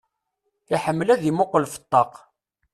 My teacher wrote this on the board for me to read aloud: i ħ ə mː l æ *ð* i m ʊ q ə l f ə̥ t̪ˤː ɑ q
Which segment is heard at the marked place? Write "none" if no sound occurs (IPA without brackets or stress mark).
ð